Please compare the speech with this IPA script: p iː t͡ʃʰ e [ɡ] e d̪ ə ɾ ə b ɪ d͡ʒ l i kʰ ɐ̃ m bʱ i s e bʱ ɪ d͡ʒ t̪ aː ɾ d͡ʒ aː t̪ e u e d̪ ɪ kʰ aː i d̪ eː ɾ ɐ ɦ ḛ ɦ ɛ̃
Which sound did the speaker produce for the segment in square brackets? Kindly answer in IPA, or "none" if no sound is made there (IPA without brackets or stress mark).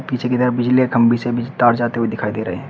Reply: k